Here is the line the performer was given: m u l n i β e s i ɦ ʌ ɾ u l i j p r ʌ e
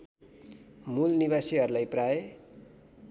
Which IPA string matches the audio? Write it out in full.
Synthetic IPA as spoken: m u l n i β a s i ɦ ʌ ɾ u l a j p r a e